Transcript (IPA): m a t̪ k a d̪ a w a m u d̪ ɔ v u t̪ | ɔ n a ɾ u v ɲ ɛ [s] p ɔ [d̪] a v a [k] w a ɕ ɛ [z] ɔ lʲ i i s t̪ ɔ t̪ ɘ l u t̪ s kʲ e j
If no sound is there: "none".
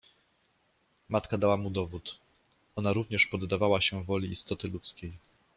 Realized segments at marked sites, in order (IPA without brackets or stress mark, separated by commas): ʂ, d̪ː, none, v